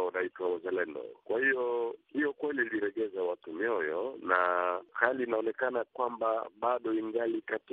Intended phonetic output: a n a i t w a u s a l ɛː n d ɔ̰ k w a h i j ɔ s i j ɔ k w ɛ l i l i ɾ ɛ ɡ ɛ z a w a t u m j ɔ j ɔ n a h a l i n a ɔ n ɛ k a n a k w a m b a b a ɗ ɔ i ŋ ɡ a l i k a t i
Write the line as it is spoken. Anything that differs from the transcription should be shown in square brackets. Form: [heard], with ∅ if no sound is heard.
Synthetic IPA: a n a i t w a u [z] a l [ɛ] n d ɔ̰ k w a h i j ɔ [h] i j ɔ k w ɛ l i l i ɾ ɛ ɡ ɛ z a w a t u m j ɔ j ɔ n a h a l i n a ɔ n ɛ k a n a k w a m b a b a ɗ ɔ i ŋ ɡ a l i k a t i